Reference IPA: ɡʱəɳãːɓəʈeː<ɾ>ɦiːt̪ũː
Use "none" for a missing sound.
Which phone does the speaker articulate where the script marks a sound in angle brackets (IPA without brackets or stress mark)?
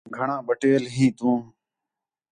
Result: l